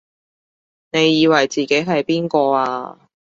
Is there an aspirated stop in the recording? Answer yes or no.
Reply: no